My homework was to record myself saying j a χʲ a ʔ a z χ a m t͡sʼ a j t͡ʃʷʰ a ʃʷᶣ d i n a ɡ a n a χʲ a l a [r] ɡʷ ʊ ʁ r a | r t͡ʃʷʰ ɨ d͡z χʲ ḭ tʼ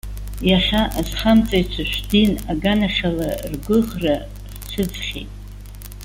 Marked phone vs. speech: correct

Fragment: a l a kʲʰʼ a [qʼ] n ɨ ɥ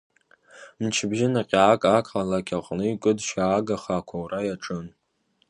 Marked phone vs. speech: correct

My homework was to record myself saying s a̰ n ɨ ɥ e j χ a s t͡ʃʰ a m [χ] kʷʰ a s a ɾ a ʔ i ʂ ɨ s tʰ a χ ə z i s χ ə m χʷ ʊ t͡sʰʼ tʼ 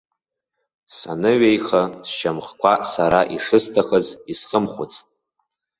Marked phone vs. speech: correct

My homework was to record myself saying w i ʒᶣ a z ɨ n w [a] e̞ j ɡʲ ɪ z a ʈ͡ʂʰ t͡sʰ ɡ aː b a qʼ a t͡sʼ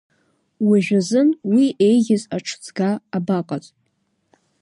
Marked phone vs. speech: incorrect: i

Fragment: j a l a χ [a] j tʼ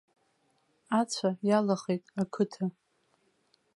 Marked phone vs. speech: incorrect: e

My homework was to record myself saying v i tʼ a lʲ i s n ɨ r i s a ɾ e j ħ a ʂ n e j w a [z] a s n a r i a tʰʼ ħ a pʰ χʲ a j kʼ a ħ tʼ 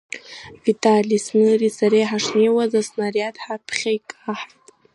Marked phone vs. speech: correct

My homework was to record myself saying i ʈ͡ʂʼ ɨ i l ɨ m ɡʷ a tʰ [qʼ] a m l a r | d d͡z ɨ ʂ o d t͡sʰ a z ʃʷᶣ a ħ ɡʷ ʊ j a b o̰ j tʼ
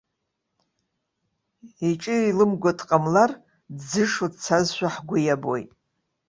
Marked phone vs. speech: correct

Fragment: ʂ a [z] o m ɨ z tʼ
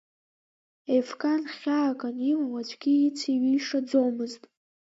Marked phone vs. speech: incorrect: d͡z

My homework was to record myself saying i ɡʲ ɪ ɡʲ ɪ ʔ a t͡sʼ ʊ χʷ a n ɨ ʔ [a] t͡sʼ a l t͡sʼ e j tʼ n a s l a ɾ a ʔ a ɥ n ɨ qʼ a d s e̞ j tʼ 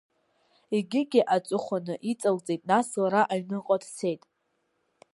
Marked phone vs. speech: incorrect: i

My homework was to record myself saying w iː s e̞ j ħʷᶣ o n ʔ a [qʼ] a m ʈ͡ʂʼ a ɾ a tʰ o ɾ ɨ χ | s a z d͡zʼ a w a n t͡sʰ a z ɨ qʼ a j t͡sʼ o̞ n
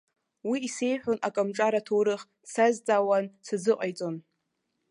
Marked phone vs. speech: incorrect: kʼ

